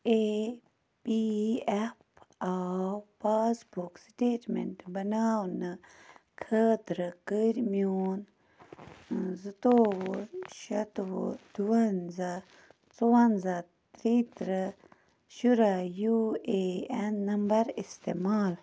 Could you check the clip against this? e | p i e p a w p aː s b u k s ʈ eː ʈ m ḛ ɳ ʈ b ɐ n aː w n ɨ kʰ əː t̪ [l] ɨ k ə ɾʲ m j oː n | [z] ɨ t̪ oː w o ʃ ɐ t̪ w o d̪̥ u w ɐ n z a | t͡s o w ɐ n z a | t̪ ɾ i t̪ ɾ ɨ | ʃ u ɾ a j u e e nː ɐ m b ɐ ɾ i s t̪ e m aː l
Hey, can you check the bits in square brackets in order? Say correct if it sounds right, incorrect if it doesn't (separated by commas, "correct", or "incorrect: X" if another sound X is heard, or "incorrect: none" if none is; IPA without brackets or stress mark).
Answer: incorrect: ɾ, correct